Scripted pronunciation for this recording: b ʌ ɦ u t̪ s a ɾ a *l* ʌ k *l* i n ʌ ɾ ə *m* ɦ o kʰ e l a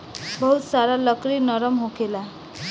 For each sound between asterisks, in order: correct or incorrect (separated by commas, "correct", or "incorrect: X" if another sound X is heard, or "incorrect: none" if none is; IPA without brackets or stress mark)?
correct, incorrect: ɾ, correct